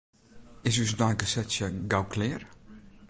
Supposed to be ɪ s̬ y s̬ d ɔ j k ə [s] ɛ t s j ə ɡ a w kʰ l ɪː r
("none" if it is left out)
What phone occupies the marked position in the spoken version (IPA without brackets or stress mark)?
s